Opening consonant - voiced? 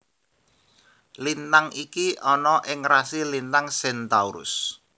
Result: yes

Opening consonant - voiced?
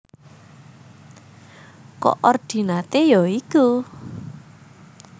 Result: no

